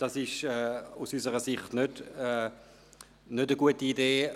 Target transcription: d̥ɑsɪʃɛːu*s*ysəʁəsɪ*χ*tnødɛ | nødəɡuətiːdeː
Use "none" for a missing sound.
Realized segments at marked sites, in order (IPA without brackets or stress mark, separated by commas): s, χ